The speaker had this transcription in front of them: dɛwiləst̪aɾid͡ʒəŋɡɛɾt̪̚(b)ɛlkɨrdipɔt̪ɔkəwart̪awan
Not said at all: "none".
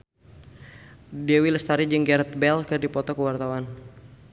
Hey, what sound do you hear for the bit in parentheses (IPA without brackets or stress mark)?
b